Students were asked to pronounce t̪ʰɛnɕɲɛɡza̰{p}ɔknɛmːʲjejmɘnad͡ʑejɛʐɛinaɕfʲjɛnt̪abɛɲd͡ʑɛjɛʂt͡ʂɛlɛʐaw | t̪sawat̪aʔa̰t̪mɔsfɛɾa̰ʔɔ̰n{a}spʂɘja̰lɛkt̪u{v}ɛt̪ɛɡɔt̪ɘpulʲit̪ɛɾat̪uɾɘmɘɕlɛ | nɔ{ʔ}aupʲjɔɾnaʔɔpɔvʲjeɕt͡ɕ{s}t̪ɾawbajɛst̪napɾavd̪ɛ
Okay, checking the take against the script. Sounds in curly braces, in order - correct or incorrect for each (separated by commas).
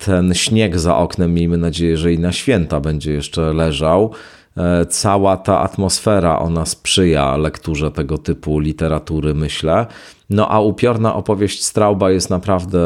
incorrect, correct, incorrect, correct, correct